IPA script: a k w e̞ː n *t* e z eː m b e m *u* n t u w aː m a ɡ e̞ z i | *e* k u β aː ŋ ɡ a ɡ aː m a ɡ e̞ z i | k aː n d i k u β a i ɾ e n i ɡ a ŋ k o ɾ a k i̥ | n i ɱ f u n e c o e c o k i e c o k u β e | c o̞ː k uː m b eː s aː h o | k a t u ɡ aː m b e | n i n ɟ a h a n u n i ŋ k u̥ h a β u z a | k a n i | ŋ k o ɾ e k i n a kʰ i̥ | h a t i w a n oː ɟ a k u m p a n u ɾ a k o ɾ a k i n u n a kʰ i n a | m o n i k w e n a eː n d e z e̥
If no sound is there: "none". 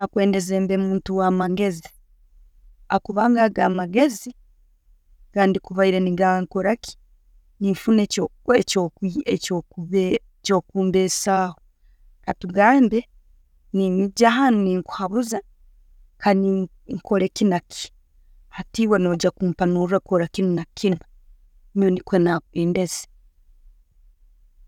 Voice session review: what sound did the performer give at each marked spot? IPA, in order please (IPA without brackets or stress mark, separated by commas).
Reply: d, uː, a